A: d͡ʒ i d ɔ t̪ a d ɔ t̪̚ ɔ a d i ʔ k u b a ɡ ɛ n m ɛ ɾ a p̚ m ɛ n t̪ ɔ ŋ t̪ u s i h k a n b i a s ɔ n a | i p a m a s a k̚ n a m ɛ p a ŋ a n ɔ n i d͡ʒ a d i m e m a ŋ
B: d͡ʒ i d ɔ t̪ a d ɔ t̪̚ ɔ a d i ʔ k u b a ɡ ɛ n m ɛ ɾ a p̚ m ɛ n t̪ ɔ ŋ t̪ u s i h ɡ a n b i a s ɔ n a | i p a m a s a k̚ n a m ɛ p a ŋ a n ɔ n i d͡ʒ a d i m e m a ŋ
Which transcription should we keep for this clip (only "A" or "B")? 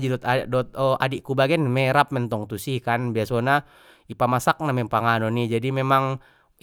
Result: A